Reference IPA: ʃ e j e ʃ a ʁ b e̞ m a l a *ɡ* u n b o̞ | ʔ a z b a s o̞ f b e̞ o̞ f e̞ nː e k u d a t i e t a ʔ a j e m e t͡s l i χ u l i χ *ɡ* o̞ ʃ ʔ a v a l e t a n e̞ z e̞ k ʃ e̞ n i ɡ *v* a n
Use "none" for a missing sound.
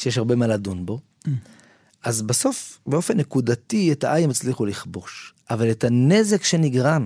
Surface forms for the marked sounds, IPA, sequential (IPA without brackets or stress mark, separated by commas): d, b, ʁ